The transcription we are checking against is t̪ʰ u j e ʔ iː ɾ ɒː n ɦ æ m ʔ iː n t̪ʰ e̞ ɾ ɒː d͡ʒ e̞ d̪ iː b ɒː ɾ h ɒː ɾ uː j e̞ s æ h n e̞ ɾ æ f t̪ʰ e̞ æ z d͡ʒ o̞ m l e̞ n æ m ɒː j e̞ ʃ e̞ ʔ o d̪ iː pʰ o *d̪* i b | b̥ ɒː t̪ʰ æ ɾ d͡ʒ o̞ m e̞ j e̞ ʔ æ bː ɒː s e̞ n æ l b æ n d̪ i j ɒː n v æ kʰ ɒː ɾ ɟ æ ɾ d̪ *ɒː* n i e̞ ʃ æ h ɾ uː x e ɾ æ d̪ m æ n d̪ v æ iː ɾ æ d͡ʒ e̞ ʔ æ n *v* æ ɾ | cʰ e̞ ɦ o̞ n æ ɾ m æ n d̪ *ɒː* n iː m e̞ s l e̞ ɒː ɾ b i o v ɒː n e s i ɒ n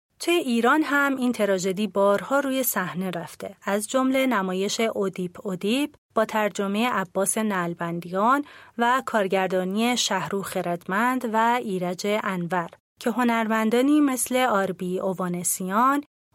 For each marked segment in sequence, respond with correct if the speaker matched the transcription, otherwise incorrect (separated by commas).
correct, correct, correct, correct